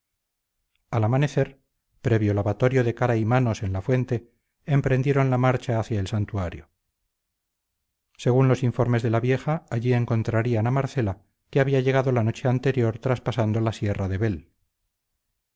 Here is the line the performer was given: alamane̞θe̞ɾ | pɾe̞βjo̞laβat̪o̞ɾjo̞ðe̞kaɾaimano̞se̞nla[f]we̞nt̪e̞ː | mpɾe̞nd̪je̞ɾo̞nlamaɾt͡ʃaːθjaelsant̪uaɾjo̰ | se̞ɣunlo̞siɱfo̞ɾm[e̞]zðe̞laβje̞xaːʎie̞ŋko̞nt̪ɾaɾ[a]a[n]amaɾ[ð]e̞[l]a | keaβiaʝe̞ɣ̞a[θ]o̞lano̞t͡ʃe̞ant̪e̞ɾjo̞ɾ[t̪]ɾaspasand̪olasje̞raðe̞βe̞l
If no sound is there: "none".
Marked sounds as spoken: f, e̞, i, n, θ, l, ð, t̪

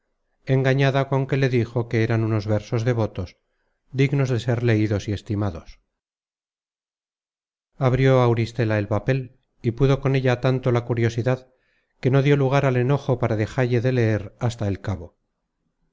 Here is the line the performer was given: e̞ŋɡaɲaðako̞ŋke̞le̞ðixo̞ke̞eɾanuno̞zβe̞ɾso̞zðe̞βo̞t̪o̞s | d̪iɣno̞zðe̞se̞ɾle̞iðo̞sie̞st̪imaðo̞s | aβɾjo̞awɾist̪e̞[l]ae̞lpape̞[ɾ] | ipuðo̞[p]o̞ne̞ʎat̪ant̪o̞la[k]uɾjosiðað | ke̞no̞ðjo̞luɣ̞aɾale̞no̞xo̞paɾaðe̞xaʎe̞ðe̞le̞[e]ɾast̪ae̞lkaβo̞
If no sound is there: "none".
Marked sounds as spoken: l, l, k, k, e

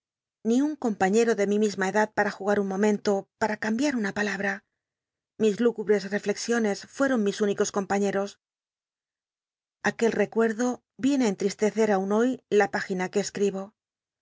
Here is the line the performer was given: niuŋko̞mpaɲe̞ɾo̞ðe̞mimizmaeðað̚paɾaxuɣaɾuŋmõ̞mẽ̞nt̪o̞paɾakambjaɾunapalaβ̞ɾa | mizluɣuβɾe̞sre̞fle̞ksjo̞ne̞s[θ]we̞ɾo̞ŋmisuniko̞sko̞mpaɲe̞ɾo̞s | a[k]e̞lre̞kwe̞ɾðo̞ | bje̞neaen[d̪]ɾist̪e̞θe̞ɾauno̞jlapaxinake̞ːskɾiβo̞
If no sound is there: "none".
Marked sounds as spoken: f, k, t̪

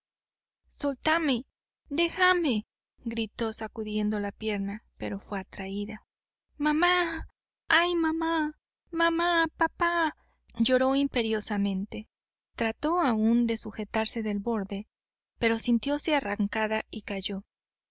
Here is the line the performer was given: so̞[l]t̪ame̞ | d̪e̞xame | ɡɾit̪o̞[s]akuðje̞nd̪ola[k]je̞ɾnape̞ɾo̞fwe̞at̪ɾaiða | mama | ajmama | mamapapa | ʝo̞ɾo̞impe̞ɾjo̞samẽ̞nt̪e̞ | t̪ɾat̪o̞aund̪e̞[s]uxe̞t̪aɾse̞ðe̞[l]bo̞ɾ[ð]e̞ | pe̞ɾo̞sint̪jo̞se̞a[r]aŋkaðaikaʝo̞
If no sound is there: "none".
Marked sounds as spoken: l, s, p, s, l, ð, r

